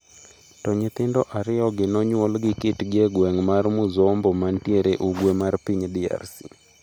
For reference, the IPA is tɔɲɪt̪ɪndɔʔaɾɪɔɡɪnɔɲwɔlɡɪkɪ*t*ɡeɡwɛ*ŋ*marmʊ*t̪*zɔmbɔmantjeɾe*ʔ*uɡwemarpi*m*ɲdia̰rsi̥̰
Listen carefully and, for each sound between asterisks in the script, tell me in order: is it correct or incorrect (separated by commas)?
correct, correct, incorrect, correct, incorrect